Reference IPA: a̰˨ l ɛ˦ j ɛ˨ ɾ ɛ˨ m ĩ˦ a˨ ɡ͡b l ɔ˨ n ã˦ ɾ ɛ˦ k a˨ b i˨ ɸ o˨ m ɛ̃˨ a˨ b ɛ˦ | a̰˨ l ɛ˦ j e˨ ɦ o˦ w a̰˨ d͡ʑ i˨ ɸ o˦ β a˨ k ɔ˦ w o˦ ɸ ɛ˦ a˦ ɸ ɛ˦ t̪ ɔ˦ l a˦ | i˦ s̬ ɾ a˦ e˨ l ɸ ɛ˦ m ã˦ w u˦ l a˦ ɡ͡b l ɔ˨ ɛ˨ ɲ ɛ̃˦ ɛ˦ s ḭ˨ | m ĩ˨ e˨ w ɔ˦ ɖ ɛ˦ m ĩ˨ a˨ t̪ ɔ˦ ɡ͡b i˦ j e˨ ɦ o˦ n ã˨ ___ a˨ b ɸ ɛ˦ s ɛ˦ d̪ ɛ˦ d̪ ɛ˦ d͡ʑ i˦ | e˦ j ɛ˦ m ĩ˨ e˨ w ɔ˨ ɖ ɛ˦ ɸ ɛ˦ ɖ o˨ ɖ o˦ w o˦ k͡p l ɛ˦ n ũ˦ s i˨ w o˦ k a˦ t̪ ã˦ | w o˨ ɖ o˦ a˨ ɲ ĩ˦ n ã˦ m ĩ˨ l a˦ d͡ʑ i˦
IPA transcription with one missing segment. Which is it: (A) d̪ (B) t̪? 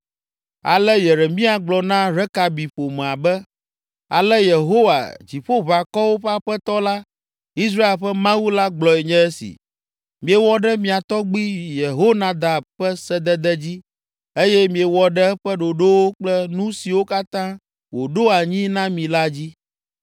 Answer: A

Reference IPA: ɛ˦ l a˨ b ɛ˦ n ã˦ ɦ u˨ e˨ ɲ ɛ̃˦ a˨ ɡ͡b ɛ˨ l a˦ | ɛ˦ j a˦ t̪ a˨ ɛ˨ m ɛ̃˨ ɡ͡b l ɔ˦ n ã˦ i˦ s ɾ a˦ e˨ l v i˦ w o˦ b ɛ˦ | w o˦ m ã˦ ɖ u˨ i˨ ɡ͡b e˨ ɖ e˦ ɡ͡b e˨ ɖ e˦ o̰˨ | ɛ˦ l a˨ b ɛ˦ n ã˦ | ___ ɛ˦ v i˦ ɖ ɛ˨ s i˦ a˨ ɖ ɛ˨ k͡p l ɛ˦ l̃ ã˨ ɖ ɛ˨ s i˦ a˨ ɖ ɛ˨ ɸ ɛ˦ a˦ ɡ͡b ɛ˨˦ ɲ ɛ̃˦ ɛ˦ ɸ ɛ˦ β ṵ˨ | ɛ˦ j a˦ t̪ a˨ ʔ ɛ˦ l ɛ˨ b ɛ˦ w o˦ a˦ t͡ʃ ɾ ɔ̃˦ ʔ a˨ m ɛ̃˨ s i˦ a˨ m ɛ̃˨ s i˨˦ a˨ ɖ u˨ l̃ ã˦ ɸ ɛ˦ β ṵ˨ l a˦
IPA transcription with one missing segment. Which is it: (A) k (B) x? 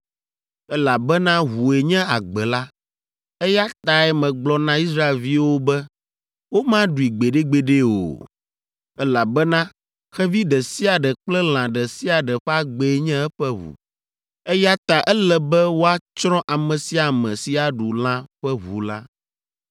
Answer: B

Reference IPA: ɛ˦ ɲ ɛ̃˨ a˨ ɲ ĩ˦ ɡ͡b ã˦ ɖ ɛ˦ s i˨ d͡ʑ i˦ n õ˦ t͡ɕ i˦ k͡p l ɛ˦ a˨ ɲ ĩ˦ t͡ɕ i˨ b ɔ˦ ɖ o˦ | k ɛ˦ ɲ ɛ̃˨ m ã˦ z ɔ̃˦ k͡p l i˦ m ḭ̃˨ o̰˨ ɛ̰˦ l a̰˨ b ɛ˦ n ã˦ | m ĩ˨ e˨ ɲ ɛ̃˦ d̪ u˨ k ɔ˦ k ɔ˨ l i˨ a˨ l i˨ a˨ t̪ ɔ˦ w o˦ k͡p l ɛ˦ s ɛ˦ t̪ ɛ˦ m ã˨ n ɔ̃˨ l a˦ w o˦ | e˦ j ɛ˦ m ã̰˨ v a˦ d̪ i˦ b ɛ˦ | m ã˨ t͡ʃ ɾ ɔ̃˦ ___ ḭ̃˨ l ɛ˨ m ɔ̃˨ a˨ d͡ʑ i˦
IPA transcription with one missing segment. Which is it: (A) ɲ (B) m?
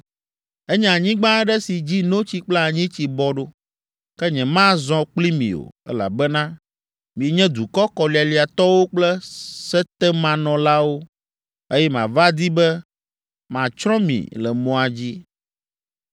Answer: B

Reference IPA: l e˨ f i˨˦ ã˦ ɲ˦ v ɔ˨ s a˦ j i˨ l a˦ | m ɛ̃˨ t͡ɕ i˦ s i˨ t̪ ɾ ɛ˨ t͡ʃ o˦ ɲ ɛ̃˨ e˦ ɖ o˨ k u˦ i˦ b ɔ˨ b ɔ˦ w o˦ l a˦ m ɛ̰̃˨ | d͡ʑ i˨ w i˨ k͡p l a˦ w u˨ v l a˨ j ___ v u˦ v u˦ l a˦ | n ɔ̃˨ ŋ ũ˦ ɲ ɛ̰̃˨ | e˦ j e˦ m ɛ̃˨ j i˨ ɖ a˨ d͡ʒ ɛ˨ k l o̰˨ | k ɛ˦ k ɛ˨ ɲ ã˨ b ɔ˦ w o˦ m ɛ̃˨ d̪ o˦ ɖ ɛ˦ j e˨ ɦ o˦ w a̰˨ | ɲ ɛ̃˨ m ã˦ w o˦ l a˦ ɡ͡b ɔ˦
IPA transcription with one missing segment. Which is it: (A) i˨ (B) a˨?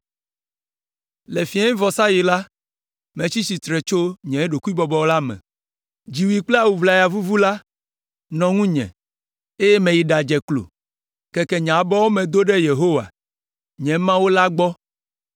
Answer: B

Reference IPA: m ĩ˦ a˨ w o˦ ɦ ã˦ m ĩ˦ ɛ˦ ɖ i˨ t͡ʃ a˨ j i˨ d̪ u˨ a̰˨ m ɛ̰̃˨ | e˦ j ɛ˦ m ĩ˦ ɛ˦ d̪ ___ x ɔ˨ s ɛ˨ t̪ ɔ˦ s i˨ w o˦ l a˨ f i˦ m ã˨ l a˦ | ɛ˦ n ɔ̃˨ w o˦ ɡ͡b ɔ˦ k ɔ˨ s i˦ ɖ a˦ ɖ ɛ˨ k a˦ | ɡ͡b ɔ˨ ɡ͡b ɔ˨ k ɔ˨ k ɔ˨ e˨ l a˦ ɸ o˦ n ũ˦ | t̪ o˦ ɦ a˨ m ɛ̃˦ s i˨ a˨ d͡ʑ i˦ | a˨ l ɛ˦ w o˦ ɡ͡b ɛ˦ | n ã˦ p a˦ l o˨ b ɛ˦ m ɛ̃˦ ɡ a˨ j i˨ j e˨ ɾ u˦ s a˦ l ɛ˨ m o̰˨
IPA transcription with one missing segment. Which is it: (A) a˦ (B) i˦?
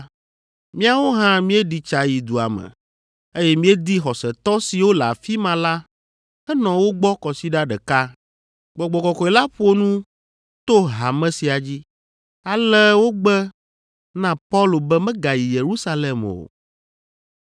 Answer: B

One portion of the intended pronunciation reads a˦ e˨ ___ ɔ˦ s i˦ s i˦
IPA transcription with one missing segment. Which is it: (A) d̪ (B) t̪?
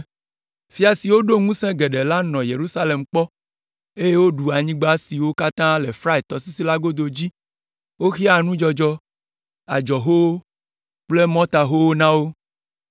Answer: B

